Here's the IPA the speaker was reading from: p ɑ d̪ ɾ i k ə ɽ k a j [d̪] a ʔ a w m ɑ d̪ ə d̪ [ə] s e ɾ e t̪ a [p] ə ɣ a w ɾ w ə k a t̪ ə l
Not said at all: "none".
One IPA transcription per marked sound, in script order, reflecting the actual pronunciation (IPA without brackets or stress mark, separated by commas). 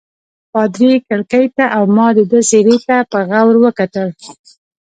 t̪, ə, p